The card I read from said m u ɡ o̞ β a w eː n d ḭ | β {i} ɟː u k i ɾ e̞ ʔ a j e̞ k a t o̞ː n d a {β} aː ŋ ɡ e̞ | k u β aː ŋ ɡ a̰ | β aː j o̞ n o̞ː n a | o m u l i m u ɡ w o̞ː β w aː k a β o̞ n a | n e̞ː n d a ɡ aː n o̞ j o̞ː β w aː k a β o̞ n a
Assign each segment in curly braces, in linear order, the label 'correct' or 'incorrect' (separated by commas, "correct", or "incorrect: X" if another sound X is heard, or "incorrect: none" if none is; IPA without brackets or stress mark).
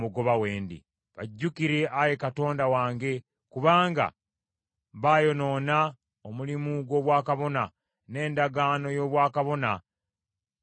incorrect: a, incorrect: w